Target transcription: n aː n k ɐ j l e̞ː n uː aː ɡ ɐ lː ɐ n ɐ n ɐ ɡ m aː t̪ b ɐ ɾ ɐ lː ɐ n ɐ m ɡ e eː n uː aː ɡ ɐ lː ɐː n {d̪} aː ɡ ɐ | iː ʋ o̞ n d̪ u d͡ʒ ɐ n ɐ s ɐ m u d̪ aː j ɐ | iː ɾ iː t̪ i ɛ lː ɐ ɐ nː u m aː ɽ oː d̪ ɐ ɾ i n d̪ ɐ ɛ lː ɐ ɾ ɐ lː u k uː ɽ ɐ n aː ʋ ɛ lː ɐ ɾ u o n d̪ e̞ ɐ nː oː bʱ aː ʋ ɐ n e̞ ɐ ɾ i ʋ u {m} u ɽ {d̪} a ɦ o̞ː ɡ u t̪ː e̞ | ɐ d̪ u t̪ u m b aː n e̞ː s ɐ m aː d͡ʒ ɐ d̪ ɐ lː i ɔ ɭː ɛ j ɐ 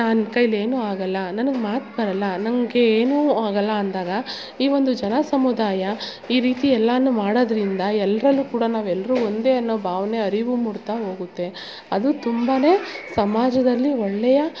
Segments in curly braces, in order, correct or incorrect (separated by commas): correct, correct, incorrect